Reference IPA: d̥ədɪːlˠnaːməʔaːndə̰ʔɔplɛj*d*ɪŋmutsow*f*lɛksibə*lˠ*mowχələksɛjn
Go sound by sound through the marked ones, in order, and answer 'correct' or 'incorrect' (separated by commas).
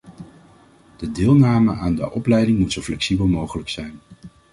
correct, correct, correct